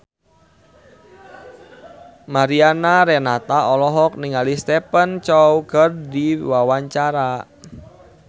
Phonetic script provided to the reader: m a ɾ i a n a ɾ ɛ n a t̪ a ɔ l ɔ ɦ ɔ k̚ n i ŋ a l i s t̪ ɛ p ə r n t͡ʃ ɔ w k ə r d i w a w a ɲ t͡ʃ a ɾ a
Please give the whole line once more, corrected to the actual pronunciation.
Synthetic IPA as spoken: m a ɾ i a n a ɾ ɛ n a t̪ a ɔ l ɔ ɦ ɔ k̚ n i ŋ a l i s t̪ ɛ p ə n t͡ʃ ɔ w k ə r d i w a w a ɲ t͡ʃ a ɾ a